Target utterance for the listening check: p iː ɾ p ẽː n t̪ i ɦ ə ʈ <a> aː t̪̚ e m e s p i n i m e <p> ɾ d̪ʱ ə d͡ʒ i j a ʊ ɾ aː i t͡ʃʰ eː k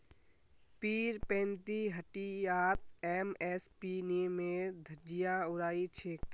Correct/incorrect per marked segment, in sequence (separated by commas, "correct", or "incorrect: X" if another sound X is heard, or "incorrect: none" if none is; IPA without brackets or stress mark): incorrect: i, incorrect: none